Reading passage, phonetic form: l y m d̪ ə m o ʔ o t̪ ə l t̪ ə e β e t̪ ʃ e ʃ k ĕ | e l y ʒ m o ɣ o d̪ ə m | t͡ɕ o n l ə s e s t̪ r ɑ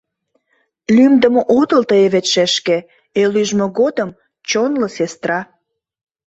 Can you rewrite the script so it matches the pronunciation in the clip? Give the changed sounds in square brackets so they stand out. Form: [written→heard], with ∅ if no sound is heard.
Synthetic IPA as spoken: l y m d̪ ə m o ʔ o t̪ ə l t̪ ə e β e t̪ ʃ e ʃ k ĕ | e l y ʒ m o ɣ o d̪ ə m | t͡ɕ o n l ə s e s t̪ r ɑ